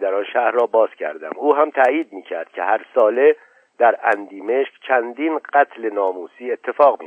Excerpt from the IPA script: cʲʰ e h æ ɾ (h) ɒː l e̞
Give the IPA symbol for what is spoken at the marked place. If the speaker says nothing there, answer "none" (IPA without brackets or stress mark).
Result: s